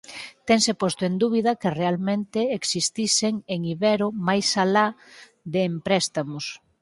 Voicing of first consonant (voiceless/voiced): voiceless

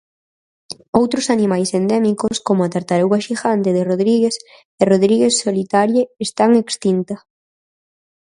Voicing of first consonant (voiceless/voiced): voiced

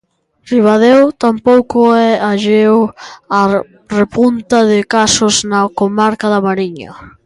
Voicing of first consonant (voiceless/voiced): voiced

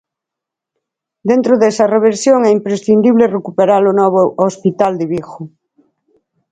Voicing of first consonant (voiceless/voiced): voiced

